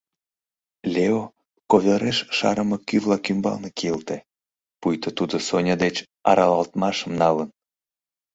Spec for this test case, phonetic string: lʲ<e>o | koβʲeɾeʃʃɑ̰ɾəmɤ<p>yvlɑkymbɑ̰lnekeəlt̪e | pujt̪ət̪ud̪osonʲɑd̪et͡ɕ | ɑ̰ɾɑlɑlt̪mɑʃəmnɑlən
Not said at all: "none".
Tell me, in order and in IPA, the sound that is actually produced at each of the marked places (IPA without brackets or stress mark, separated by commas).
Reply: e, k